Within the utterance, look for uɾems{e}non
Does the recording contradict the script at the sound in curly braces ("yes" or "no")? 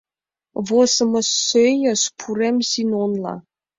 yes